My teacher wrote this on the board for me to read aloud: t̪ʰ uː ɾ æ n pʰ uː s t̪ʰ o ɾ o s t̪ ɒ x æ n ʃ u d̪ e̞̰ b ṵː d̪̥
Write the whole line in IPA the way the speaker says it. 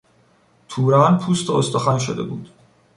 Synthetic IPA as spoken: t̪ʰ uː ɾ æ n pʰ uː s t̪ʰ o o s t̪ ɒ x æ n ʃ o d̪ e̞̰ b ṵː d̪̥